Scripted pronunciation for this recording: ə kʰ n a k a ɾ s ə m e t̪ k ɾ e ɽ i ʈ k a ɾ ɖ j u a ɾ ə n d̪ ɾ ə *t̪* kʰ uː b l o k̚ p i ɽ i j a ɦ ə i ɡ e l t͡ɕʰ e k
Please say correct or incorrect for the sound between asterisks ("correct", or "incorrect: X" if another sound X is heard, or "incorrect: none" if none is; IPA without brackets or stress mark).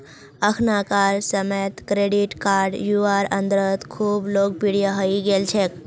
correct